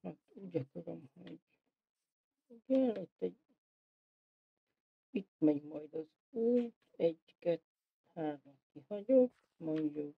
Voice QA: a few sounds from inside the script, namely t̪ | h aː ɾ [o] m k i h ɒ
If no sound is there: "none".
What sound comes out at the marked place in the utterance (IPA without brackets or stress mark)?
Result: o